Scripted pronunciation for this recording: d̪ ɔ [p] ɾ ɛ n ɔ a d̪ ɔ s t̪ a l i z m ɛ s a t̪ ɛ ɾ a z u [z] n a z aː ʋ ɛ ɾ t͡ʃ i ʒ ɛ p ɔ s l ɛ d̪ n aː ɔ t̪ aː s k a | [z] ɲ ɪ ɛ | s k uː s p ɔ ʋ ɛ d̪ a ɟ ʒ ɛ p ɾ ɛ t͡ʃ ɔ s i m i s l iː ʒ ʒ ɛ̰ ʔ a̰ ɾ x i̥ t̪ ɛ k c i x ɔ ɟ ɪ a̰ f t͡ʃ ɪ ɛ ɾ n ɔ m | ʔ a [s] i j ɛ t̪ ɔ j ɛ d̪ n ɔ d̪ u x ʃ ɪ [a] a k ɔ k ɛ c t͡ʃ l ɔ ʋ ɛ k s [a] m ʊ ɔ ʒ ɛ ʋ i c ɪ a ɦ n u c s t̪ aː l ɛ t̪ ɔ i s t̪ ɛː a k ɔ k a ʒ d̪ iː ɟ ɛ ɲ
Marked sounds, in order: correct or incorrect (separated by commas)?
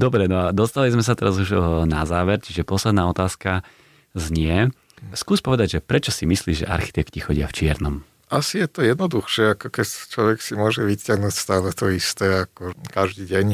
incorrect, incorrect, correct, correct, incorrect, incorrect